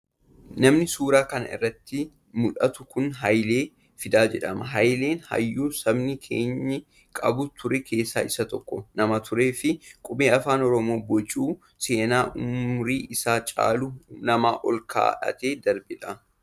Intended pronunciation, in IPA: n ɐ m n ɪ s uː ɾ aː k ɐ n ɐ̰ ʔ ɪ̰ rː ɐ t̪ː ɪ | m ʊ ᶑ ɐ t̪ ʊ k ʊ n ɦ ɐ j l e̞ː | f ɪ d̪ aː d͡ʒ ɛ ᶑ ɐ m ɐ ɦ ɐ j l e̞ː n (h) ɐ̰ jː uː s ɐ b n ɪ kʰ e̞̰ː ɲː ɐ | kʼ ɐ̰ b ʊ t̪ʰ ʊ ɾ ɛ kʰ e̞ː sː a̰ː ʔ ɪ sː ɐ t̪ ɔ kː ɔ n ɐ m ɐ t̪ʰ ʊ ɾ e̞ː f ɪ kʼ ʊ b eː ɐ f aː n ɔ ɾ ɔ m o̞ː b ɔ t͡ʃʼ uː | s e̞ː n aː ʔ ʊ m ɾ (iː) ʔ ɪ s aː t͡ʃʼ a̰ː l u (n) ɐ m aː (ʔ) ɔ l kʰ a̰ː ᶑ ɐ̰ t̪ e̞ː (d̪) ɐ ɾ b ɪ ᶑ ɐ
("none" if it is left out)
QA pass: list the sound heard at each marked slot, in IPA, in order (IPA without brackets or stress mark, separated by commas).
h, iː, n, ʔ, d̪